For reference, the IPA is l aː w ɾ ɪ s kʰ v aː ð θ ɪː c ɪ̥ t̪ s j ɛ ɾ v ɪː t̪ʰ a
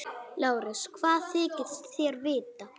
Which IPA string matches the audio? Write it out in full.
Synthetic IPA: l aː w ɾ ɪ s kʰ v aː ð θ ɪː c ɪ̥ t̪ θ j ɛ ɾ v ɪː t̪ a

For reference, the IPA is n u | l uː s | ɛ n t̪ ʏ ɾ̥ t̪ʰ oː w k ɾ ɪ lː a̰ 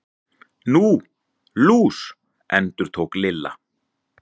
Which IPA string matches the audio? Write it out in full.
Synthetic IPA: n u | l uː s | ɛ n t̪ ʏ ɾ̥ t̪ʰ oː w k l ɪ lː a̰

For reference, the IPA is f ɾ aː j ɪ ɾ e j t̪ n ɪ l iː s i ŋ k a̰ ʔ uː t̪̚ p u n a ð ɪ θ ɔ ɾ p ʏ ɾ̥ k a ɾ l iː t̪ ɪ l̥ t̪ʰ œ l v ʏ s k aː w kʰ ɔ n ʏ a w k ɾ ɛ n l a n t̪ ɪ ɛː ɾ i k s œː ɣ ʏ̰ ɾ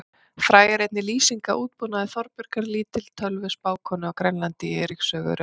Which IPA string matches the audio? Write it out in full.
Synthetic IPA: f ɾ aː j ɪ ɾ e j t̪ n ɪ l iː s i ŋ k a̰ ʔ uː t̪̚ p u n a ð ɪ θ ɔ ɾ p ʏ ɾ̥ k a ɾ l iː t̪ ɪ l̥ t̪ʰ œ l v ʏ s p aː w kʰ ɔ n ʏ a w k ɾ ɛ n l a n t̪ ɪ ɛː ɾ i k s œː ɣ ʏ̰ ɾ

